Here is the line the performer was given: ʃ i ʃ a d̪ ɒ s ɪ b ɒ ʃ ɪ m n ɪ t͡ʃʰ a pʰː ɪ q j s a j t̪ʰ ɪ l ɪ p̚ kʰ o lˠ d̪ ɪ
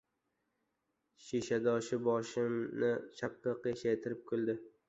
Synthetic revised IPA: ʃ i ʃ a d̪ ɒ ʃ ɪ b ɒ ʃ ɪ m n ɪ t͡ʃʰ a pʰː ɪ q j ʃ a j t̪ʰ ɪ ɾ ɪ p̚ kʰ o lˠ d̪ ɪ